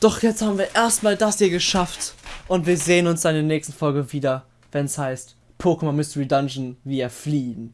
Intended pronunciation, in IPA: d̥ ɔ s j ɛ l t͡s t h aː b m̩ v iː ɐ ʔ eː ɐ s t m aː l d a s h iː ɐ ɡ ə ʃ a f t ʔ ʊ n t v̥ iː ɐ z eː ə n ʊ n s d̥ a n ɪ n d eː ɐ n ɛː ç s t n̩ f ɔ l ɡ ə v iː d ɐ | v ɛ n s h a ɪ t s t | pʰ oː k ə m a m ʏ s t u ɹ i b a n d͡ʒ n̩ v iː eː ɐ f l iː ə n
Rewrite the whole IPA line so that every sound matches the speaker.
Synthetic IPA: d̥ ɔ χ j ɛ t͡s t h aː b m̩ v iː ɐ ʔ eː ɐ s t m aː l d a s h iː ɐ ɡ ə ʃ a f t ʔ ʊ n t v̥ iː ɐ z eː ə n ʊ n s d̥ a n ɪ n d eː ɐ n ɛː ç s t n̩ f ɔ l ɡ ə v iː d ɐ | v ɛ n s h a ɪ s t | pʰ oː k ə m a m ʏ s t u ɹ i d a n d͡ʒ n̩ v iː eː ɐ f l iː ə n